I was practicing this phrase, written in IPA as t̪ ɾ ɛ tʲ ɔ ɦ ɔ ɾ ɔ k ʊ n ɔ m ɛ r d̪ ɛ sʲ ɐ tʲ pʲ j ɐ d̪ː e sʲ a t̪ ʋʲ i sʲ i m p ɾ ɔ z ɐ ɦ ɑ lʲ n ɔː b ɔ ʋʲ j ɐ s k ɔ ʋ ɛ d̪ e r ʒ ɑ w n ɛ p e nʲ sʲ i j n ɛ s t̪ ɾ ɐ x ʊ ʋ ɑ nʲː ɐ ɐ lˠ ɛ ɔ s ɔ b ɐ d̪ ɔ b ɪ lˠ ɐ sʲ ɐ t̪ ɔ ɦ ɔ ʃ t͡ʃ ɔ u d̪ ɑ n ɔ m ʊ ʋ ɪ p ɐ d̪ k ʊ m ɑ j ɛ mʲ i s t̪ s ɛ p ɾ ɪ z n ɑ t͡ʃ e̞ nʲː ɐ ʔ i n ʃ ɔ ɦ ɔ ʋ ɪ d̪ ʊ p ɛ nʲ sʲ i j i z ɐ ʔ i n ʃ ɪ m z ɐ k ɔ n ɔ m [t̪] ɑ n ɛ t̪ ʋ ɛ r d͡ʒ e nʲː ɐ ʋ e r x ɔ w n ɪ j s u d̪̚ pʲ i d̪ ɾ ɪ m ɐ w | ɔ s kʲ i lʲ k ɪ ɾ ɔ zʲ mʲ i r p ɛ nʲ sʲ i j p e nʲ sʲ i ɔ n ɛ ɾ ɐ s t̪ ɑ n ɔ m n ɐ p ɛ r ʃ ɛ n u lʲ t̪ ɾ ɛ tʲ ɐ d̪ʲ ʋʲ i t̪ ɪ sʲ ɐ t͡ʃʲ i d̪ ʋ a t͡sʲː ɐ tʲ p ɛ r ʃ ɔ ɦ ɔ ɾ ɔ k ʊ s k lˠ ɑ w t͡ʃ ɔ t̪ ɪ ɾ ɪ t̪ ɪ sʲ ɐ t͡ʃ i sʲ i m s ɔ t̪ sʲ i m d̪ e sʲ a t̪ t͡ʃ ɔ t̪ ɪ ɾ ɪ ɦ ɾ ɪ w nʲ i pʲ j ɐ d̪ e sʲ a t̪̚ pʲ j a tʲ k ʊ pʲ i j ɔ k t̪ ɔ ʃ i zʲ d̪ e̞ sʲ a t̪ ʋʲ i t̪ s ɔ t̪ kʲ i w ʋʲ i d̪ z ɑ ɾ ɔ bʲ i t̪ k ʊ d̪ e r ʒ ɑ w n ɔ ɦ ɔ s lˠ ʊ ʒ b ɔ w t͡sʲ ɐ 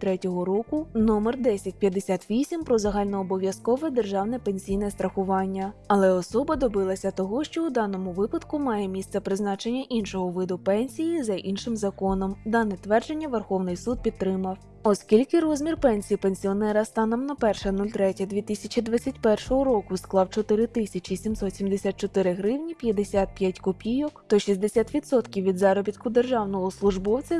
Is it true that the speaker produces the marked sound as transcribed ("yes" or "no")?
no